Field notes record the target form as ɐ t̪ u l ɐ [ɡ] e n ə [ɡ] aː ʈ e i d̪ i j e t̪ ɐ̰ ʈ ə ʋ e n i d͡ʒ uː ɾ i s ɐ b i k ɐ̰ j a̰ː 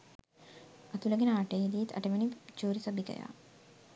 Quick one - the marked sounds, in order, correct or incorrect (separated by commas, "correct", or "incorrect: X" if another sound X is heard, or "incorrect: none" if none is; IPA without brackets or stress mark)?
correct, incorrect: none